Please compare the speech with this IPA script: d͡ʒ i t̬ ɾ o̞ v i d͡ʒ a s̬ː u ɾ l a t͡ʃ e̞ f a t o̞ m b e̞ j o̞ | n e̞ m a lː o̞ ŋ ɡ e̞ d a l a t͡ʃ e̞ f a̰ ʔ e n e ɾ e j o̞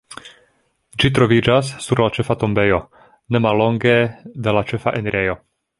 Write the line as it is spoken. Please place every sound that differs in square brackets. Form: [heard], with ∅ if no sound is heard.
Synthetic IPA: d͡ʒ i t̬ ɾ o̞ v i d͡ʒ a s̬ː u ɾ l a t͡ʃ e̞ f a t o̞ m b e̞ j o̞ | n e̞ m a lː o̞ ŋ ɡ e̞ d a l a t͡ʃ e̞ f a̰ ʔ e n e ɾ e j o̞